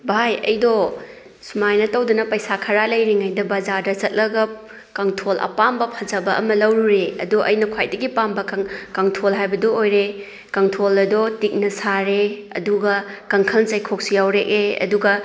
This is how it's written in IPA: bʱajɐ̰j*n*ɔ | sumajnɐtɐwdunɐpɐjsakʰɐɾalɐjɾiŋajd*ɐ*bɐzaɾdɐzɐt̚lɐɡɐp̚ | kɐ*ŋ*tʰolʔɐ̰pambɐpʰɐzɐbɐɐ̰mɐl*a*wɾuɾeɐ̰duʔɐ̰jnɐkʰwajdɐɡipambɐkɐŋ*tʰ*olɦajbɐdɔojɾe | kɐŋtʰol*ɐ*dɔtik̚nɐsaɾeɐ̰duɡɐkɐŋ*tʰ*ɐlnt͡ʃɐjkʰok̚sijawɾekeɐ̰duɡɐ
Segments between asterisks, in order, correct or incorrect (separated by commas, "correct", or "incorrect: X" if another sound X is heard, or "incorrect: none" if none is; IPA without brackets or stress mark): incorrect: d, correct, correct, incorrect: ɐ, correct, correct, incorrect: kʰ